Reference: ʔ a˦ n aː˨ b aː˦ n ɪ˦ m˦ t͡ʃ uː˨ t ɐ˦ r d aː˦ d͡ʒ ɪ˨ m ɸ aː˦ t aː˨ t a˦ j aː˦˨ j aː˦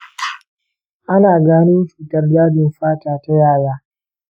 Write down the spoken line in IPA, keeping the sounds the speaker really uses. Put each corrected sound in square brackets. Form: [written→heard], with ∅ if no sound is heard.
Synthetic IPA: ʔ a˦ n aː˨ [b→ɡ] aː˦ n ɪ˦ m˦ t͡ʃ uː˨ t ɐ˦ r d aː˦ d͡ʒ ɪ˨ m ɸ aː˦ t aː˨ t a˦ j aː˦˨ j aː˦